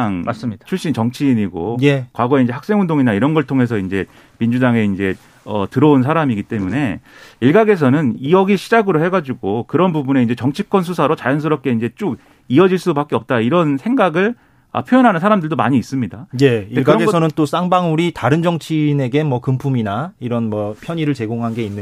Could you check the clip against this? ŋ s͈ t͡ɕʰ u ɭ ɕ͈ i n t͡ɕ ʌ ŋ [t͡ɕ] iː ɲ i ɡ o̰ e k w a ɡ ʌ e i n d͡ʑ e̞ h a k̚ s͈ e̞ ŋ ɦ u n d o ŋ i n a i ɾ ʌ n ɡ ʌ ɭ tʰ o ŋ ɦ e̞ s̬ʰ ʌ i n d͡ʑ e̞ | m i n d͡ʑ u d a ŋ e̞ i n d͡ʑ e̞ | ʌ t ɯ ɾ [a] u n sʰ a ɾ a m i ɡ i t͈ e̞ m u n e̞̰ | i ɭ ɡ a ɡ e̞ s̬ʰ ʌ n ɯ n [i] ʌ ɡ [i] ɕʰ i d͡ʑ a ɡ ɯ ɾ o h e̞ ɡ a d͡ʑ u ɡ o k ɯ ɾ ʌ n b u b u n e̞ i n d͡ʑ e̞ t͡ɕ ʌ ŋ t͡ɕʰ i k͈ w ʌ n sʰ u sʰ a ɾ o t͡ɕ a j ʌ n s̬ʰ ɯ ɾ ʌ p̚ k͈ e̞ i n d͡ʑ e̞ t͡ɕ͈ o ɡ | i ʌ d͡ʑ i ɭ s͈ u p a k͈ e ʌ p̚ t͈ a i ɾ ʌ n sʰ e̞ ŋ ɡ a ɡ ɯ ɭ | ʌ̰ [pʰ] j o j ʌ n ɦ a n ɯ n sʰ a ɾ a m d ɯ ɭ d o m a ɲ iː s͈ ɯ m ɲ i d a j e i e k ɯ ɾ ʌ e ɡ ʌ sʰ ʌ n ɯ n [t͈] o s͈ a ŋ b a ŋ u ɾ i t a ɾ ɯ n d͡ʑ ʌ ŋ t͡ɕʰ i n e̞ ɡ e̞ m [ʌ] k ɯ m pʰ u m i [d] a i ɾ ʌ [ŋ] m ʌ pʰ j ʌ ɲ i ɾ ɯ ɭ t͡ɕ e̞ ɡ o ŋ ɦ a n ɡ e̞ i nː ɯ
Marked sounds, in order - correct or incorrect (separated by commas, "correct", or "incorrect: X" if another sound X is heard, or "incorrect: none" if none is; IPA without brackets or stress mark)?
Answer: incorrect: t͡ɕʰ, incorrect: ʌ, correct, correct, correct, correct, correct, incorrect: n, incorrect: n